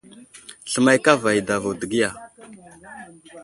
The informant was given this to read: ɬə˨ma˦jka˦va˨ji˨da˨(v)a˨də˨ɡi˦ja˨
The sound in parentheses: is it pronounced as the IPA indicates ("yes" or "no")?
yes